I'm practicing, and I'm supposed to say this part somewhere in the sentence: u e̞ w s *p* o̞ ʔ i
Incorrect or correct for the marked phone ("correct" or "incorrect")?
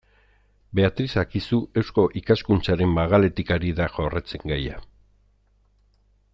incorrect